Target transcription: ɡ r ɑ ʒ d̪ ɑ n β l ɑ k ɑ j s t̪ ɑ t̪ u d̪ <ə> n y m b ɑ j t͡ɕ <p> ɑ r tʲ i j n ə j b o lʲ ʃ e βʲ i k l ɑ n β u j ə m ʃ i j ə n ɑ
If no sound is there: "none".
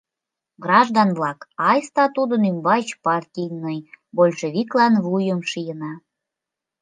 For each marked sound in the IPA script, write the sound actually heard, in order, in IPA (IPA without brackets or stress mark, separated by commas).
ə, p